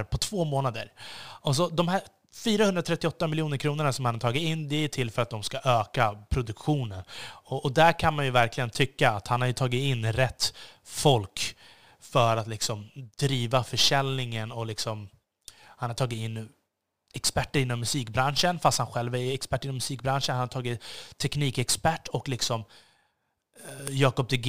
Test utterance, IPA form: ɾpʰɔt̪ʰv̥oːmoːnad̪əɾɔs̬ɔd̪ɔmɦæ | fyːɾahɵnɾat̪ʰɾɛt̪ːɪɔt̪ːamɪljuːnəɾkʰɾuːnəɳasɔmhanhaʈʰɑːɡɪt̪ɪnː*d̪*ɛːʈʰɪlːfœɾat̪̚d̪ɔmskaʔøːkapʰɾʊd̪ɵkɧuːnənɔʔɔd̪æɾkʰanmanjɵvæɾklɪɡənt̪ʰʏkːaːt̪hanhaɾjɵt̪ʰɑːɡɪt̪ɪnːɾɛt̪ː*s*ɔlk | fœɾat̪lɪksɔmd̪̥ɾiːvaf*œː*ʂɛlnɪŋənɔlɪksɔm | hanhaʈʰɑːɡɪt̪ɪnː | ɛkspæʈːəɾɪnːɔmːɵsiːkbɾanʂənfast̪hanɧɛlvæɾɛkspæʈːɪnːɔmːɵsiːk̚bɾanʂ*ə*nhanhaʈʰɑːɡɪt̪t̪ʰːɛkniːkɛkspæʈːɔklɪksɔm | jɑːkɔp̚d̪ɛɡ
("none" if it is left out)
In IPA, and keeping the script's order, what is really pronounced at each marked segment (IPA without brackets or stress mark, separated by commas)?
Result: d̪, f, œ, ə